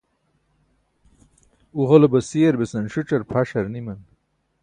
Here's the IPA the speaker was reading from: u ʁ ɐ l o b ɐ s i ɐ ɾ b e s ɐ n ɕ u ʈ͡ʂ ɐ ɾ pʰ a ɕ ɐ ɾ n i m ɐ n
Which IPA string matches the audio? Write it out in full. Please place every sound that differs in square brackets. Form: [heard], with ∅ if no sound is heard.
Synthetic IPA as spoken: u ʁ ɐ l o b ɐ s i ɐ ɾ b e s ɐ n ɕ u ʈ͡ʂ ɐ ɾ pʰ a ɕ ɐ ɾ n i m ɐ n